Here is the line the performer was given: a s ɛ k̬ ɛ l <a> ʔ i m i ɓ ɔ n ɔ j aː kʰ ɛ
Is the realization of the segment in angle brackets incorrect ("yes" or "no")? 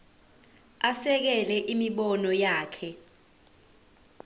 yes